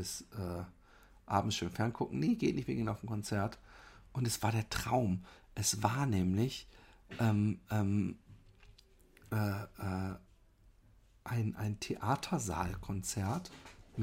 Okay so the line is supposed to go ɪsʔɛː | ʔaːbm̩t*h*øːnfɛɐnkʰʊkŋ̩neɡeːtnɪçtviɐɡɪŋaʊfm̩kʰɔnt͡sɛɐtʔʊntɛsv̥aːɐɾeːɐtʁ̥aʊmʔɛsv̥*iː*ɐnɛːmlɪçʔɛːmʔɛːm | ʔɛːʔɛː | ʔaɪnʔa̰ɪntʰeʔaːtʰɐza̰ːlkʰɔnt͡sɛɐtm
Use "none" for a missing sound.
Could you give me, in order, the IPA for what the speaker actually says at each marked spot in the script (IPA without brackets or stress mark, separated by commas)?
ʃ, aː